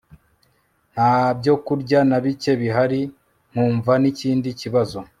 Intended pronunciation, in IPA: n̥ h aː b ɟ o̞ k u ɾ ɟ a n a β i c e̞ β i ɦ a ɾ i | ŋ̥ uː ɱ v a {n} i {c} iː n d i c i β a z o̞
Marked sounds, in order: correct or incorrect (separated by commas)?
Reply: correct, correct